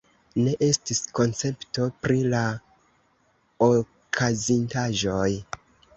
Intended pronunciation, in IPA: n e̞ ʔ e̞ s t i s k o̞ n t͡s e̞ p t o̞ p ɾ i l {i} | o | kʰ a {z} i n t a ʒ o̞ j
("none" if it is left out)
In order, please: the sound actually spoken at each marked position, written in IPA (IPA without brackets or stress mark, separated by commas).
a, z